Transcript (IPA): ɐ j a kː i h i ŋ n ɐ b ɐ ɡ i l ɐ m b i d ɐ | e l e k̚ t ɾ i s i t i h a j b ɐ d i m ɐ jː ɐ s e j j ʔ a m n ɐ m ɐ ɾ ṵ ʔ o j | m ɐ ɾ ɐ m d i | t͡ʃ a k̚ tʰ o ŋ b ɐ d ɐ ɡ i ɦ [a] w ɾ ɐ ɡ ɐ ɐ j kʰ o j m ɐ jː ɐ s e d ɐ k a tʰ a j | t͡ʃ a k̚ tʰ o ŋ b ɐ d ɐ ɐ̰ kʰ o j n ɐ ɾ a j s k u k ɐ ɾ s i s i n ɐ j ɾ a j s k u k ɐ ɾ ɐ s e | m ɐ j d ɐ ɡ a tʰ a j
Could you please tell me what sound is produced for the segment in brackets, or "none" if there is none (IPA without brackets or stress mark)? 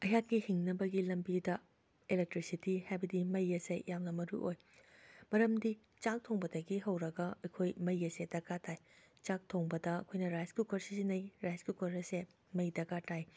ɐ